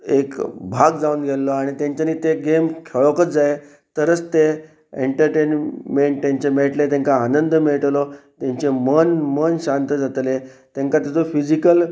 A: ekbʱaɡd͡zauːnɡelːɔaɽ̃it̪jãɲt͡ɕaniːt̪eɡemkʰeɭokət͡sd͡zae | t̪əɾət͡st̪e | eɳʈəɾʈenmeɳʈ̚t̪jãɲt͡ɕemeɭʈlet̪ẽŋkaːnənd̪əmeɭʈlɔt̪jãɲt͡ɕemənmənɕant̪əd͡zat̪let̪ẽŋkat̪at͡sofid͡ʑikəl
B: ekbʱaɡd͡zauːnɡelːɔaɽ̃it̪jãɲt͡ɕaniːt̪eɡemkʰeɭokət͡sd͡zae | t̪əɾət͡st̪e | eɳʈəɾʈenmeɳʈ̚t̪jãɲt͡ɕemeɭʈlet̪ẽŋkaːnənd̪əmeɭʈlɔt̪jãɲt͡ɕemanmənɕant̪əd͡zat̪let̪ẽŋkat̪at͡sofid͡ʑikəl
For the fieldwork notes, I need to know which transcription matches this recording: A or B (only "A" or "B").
A